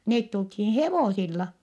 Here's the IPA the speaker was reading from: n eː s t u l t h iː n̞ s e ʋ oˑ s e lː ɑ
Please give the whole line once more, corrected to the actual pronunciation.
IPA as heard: n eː t t u l t h iː n̞ h e ʋ oˑ s i lː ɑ